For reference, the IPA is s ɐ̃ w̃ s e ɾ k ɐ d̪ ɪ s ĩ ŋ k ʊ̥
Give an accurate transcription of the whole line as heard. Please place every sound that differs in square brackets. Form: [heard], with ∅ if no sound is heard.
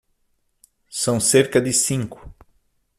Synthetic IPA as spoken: s ɐ̃ w̃ s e ɾ k ɐ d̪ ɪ s ĩ ŋ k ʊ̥